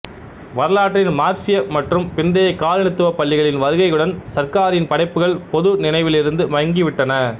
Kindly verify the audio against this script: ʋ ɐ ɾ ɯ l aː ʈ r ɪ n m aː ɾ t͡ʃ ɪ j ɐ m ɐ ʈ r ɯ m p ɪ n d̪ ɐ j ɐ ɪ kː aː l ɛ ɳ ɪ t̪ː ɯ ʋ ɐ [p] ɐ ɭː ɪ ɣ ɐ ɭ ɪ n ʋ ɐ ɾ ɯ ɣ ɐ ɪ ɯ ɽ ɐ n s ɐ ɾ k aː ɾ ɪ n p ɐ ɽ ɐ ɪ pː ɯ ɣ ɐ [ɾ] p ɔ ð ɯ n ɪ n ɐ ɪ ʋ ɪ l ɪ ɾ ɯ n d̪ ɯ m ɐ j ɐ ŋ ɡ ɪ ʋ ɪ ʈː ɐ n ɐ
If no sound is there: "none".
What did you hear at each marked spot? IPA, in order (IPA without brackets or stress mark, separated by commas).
p, ɭ